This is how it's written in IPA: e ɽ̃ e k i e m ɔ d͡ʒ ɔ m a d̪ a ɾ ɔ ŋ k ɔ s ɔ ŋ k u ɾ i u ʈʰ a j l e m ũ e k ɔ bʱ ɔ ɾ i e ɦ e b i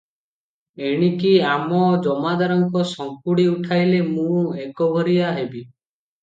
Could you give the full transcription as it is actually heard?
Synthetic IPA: e ɽ̃ i k i a m ɔ d͡ʒ ɔ m a d̪ a ɾ ɔ ŋ k ɔ s ɔ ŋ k u ɽ i u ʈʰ a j l e m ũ e k ɔ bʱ ɔ ɾ i a ɦ e b i